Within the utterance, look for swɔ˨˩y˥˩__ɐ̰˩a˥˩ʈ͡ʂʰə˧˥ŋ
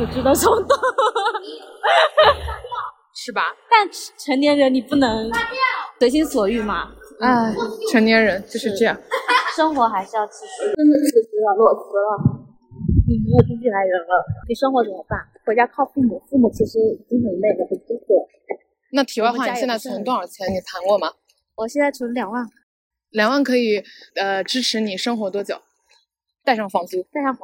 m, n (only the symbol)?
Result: m